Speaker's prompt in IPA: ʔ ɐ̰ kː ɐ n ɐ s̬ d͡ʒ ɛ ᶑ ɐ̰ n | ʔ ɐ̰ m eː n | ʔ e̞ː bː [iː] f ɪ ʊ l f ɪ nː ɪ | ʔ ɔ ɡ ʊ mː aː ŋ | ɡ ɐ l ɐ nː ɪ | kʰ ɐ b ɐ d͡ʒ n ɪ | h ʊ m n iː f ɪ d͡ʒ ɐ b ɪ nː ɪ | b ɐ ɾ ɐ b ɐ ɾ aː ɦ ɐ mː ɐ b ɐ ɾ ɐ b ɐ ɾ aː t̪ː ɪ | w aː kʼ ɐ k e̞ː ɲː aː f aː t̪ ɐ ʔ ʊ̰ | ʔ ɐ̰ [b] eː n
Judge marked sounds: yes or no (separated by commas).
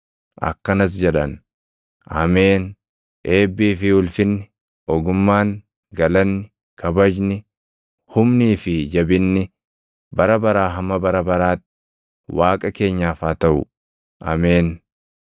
yes, no